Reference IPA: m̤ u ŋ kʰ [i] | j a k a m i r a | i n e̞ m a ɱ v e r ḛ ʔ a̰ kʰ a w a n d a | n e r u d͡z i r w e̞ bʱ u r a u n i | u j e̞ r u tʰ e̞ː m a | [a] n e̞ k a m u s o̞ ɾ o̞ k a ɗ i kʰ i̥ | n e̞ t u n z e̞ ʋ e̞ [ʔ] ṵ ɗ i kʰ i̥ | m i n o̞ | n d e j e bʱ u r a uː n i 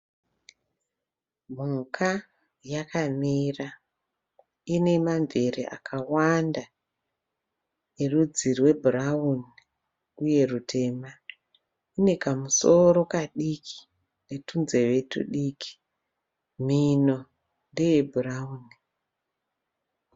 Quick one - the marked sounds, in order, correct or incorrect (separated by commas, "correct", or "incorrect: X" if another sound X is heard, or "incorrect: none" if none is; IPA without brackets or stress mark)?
incorrect: a, incorrect: i, incorrect: t